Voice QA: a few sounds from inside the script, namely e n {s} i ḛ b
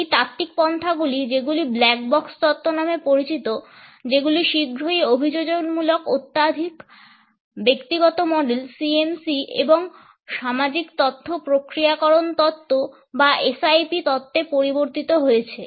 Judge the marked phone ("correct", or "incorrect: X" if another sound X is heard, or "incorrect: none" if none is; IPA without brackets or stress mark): correct